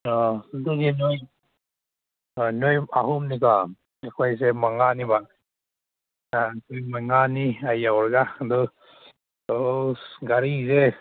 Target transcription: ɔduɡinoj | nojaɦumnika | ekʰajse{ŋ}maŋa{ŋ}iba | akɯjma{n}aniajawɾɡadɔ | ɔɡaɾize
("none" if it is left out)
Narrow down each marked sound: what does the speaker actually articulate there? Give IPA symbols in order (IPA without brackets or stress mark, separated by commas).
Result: none, n, ŋ